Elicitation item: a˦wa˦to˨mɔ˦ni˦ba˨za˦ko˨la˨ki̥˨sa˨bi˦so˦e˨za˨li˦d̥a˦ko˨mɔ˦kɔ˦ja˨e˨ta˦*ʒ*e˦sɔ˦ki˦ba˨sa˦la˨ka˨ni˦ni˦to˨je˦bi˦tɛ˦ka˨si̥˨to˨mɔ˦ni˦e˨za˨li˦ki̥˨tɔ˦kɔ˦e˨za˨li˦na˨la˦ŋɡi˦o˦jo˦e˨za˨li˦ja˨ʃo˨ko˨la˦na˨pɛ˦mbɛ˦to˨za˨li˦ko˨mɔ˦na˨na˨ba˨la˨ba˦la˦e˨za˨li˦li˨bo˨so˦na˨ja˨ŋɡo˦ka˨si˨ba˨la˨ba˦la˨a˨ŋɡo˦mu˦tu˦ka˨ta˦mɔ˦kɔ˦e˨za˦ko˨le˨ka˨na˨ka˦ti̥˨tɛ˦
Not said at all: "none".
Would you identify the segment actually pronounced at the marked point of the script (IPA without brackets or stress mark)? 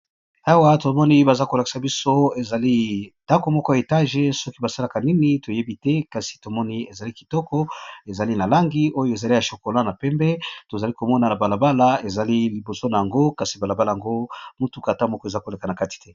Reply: ʒ